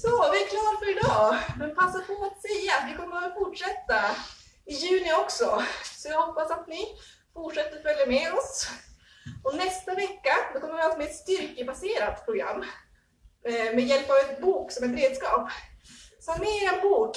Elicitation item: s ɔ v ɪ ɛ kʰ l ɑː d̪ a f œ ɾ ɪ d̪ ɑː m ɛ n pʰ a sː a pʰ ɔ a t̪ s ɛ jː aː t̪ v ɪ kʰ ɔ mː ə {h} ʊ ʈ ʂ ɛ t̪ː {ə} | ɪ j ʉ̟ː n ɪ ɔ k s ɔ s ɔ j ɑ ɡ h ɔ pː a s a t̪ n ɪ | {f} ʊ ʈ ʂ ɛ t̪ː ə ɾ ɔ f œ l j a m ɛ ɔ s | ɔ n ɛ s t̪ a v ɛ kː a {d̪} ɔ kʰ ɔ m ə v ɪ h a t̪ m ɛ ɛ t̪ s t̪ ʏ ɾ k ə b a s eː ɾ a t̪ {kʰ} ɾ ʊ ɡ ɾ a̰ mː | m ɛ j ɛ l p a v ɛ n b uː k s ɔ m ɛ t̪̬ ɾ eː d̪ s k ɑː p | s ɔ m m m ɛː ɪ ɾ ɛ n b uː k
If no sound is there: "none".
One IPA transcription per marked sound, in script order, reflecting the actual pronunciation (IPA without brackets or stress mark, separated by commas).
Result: f, a, f, d̪, pʰ